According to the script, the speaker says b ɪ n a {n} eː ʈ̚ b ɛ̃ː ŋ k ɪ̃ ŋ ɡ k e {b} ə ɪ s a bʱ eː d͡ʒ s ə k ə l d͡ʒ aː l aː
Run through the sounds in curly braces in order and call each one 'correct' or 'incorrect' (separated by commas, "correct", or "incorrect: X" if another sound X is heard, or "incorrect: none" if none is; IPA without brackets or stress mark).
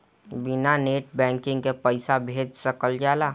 correct, incorrect: p